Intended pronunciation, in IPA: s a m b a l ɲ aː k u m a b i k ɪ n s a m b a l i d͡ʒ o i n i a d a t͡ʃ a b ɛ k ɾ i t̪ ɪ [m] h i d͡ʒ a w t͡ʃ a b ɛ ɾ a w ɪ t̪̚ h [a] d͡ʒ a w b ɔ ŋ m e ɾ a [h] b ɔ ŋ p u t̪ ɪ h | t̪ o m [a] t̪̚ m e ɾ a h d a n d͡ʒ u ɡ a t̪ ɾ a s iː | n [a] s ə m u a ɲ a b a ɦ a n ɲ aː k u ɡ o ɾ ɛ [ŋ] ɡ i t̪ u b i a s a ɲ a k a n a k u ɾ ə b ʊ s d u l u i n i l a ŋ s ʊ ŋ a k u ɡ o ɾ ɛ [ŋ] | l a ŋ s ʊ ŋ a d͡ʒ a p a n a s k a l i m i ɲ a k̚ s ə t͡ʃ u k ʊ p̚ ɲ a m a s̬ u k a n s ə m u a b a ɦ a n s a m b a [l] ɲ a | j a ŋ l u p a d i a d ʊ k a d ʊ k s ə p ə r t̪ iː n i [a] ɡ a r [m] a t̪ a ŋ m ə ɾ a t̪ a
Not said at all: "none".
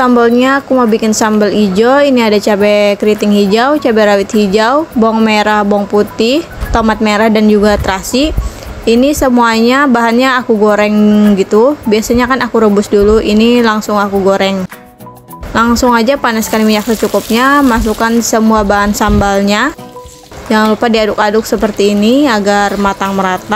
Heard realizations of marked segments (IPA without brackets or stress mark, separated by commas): ŋ, i, h, a, i, ŋ, ŋ, l, a, m